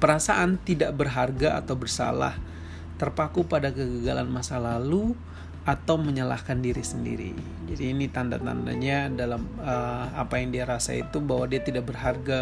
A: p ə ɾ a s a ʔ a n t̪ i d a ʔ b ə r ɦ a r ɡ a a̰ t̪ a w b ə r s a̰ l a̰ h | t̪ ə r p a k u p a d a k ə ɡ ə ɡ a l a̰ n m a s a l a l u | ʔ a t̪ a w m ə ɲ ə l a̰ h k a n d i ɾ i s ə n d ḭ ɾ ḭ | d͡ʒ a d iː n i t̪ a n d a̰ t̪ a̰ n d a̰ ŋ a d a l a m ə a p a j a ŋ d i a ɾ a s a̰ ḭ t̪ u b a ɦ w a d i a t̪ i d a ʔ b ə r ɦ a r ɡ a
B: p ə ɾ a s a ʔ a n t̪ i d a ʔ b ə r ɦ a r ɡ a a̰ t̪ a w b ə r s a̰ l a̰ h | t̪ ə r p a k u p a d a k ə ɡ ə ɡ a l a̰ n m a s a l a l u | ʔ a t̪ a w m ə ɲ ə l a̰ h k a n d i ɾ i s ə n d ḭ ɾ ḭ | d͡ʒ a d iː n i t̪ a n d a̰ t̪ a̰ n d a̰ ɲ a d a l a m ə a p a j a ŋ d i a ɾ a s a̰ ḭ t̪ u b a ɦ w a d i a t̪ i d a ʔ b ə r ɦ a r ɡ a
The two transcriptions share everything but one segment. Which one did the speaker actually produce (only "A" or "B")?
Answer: B